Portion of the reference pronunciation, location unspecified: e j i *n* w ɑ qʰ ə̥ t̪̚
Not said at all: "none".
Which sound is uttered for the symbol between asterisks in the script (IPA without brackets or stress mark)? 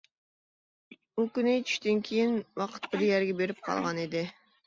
n